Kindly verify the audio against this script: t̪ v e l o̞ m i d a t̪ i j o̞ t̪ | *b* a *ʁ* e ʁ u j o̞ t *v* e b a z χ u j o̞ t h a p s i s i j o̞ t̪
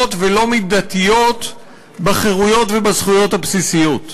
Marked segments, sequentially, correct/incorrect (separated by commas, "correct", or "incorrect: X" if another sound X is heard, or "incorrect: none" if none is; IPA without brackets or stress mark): correct, incorrect: χ, correct